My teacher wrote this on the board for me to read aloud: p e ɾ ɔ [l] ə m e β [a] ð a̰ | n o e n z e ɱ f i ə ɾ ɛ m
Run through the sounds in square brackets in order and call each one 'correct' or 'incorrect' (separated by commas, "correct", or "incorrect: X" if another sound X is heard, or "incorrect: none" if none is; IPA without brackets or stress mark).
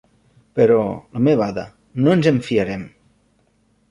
correct, correct